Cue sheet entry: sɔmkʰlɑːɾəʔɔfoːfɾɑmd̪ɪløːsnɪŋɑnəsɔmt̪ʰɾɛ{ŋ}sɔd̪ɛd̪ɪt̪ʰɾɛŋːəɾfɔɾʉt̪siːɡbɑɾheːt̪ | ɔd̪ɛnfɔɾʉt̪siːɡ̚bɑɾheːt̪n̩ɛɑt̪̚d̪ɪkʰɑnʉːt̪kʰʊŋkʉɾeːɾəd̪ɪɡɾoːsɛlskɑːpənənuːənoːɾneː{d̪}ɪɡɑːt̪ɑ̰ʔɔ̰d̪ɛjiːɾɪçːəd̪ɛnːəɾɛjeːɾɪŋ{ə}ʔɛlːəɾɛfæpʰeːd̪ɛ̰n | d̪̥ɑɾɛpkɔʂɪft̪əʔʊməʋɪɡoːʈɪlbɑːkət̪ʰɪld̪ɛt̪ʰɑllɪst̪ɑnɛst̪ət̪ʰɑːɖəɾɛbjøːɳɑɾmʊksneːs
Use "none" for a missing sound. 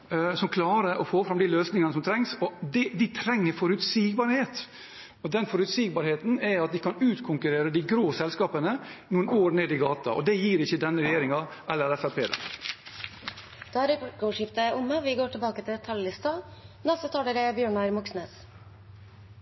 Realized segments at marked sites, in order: ŋ, d̪, ɑ

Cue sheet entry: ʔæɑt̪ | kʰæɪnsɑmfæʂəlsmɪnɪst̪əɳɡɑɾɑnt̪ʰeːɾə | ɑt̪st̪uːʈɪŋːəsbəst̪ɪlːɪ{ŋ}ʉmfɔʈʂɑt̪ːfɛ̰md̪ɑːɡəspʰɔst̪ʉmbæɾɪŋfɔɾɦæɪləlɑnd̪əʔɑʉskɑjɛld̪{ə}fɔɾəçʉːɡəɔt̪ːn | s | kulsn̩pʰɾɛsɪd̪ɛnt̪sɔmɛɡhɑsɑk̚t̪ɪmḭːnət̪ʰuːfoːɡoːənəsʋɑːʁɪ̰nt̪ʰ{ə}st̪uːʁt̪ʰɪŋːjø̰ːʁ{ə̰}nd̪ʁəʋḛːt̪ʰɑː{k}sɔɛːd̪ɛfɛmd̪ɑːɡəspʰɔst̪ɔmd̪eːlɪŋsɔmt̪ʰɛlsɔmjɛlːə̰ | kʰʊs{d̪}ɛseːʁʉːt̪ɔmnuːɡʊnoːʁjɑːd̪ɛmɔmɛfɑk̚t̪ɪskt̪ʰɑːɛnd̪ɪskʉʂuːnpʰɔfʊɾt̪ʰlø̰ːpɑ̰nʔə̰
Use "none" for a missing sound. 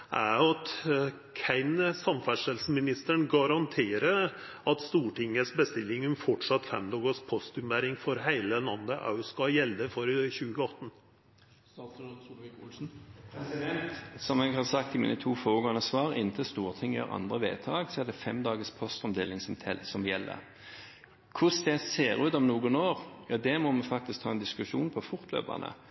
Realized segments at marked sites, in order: ŋ, ə, ə, ɑ̰, ɡ, d̪

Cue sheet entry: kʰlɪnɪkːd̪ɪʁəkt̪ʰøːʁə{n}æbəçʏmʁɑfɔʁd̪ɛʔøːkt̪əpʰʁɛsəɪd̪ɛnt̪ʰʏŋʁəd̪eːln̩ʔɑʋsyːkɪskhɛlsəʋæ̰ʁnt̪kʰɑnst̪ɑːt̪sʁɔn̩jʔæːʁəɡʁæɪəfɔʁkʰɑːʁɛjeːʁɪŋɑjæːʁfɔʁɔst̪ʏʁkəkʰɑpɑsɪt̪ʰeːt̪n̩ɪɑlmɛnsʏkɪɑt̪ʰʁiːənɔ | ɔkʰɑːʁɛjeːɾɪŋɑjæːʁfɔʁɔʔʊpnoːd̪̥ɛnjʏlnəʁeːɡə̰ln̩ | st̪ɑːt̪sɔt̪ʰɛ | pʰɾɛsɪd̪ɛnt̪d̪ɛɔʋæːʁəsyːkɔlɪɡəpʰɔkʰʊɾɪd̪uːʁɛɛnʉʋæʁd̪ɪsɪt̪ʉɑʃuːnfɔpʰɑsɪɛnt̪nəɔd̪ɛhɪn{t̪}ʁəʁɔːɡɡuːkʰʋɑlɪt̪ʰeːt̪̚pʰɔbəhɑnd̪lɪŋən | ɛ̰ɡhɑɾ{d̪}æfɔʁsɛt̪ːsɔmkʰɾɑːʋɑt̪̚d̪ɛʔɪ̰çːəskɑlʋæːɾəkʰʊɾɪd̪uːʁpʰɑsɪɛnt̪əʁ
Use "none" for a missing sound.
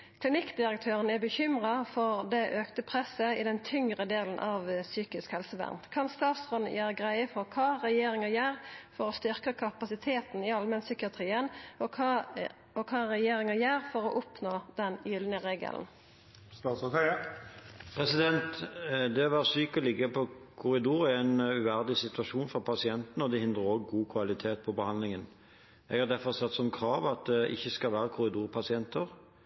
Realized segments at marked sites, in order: n, d̪, d̪

